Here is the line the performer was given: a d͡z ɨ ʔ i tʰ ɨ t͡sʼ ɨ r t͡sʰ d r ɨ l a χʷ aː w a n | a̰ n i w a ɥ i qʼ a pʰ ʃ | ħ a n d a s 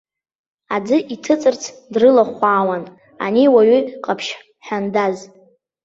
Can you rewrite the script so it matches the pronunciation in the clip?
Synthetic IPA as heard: a d͡z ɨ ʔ i tʰ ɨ t͡sʼ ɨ r t͡sʰ d r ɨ l a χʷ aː w a n | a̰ n i w a ɥ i qʼ a pʰ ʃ | ħ a n d a z